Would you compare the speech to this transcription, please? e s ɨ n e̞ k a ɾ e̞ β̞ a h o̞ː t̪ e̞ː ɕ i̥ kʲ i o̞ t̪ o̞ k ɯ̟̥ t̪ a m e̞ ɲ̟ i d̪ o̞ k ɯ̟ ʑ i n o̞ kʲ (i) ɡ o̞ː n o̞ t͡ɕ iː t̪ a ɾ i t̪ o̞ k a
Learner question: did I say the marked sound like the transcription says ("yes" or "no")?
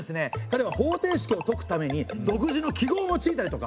yes